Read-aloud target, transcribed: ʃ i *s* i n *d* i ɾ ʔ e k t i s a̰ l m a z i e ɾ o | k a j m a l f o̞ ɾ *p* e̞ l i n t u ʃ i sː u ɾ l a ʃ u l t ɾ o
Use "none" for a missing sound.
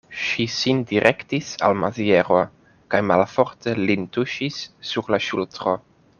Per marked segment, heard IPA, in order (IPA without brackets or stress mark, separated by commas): s, d, t